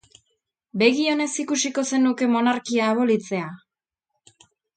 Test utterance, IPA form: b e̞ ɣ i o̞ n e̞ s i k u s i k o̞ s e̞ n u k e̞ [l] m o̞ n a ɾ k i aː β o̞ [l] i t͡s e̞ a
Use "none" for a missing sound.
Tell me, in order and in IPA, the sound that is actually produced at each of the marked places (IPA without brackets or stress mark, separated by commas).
none, l